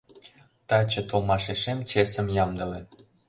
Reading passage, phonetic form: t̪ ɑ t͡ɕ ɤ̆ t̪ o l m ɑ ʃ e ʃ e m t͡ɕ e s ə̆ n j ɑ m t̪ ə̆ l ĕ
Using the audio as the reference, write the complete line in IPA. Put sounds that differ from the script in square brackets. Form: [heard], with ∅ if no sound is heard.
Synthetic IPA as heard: t̪ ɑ t͡ɕ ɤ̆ t̪ o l m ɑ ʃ e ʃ e m t͡ɕ e s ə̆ [m] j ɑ m [d̪] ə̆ l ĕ